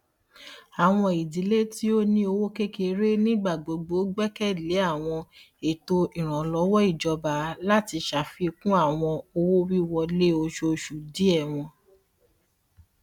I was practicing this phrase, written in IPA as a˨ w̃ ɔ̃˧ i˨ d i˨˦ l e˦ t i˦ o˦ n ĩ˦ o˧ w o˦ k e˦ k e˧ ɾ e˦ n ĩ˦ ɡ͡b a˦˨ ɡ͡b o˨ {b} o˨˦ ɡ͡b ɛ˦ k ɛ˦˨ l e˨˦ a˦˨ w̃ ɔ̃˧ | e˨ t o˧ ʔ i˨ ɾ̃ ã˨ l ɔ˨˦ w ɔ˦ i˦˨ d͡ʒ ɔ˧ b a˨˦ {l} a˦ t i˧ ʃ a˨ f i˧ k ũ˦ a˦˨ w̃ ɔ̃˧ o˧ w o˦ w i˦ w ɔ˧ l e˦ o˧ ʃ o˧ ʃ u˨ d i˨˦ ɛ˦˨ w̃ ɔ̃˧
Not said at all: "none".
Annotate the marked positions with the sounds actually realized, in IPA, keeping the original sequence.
ɡ͡b, l

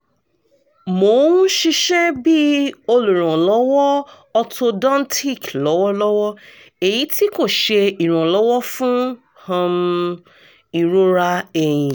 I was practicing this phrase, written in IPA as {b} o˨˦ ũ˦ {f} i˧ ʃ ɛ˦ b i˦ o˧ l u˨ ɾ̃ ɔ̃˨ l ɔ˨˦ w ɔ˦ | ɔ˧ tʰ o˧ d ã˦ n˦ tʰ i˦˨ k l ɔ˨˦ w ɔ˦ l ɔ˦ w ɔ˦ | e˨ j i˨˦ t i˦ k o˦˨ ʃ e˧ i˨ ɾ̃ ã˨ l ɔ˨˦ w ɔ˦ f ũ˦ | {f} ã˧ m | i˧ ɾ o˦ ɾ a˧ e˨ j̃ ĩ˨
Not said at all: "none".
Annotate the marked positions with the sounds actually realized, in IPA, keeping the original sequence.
m, ʃ, h

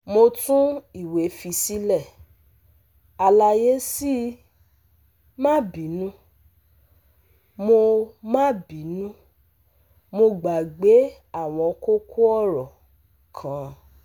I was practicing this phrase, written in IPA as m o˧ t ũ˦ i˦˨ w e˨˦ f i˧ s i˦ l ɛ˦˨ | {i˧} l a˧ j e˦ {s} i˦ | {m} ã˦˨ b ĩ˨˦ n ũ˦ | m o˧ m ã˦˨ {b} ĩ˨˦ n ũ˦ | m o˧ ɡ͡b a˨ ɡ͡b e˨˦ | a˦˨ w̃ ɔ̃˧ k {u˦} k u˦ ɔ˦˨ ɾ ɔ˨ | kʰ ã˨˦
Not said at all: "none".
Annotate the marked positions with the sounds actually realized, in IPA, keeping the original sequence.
a˧, s, m, b, o˦

